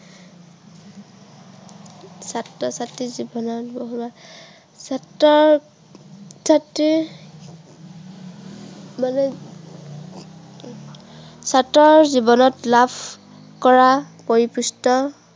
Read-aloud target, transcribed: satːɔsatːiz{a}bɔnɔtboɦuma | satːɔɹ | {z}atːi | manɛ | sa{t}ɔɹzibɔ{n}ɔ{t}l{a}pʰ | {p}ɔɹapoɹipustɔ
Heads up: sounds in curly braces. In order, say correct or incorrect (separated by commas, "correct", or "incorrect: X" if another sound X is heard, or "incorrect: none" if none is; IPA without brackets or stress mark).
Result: incorrect: i, incorrect: s, correct, correct, correct, correct, incorrect: k